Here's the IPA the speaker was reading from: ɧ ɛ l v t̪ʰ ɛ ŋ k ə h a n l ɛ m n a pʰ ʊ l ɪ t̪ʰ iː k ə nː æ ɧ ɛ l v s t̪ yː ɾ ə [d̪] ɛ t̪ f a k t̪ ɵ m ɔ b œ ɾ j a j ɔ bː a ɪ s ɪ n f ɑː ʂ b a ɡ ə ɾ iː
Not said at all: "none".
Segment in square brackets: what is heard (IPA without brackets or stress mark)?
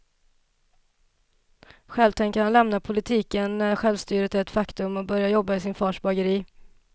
t̪